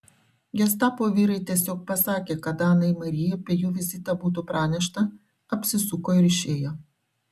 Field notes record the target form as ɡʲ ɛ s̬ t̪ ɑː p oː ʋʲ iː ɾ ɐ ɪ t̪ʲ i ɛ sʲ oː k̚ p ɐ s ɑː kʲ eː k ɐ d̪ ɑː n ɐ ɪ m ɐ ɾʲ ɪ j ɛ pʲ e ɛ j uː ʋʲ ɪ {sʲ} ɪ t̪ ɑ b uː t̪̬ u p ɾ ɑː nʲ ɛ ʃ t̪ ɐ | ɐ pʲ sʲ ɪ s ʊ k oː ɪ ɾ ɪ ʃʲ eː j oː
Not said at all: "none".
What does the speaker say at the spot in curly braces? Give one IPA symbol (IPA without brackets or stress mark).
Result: zʲ